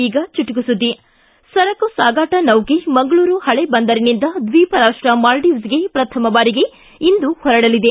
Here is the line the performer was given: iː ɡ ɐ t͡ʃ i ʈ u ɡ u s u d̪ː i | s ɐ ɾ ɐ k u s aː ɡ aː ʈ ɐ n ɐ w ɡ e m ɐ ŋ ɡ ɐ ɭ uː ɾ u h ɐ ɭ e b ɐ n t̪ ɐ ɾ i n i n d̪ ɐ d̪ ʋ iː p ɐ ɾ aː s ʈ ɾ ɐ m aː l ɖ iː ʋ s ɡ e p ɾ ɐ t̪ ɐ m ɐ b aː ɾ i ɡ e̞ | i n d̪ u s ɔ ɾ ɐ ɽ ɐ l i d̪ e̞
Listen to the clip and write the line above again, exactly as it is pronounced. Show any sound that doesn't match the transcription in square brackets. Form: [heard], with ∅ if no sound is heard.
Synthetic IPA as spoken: iː ɡ ɐ t͡ʃ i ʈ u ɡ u s u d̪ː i | s ɐ ɾ ɐ k u s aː ɡ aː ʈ ɐ n ɐ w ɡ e m ɐ ŋ ɡ ɐ ɭ uː ɾ u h ɐ ɭ e b ɐ n [d̪] ɐ ɾ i n i n d̪ ɐ d̪ ʋ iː p ɐ ɾ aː [ʂ] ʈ ɾ ɐ m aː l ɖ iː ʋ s ɡ e p ɾ ɐ [t̪ʰ] ɐ m ɐ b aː ɾ i ɡ e̞ | i n d̪ u [h] ɔ ɾ ɐ ɽ ɐ l i d̪ e̞